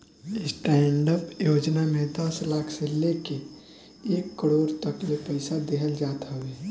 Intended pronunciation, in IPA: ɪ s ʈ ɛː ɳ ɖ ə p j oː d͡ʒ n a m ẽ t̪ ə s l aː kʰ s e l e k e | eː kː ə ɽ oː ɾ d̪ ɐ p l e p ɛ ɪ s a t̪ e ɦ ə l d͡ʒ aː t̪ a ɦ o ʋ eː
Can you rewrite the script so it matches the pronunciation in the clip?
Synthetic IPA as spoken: ɪ s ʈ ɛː ɳ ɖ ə p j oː d͡ʒ n a m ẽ d̪ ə s l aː kʰ s e l e k e | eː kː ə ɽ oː ɾ t̪ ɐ k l e p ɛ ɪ s a d̪ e ɦ ə l d͡ʒ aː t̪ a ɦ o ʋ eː